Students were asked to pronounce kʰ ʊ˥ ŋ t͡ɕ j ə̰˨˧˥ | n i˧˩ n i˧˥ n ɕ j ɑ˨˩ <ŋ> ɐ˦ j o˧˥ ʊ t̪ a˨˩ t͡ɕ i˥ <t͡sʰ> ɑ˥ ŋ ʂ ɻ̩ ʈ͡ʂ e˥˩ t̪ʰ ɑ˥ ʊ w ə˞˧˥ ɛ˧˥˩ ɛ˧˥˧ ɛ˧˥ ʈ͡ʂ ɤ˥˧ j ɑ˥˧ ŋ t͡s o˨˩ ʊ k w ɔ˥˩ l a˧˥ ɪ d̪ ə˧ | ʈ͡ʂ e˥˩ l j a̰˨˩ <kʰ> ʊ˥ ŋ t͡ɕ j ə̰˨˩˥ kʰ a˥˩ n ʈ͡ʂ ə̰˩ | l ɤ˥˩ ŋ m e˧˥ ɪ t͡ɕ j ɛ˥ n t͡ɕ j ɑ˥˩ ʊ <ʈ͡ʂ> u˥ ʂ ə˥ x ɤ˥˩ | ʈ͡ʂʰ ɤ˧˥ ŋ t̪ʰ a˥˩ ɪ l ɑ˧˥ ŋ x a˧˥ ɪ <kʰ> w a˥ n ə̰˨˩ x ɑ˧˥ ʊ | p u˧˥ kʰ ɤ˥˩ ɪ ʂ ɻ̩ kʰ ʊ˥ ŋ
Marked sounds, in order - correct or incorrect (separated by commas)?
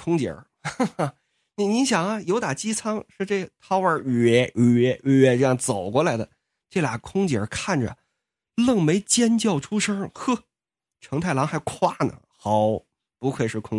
correct, correct, correct, incorrect, correct